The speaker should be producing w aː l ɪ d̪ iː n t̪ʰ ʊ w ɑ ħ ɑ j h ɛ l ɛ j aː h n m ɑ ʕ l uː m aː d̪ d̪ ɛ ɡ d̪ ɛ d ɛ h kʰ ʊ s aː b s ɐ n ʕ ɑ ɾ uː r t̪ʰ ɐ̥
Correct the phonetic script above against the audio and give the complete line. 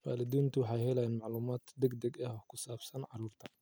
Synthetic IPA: w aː l ɪ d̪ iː n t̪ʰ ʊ w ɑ ħ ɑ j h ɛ l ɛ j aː n m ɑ ʕ l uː m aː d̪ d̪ ɛ ɡ d̪ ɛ ɡ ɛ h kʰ ʊ s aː b s ɐ n ʕ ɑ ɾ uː r t̪ʰ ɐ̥